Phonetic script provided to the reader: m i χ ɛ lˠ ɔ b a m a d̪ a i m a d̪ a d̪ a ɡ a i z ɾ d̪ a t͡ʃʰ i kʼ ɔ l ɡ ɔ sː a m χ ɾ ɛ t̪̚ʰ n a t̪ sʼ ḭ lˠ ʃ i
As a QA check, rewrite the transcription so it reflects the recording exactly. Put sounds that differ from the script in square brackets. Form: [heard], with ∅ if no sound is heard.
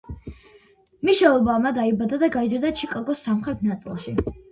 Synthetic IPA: m i [ʃ] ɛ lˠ ɔ b a m a d̪ a i [b] a d̪ a d̪ a ɡ a i z ɾ d̪ a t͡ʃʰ i kʼ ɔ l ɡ ɔ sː a m χ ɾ ɛ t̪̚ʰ n a t̪ sʼ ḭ lˠ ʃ i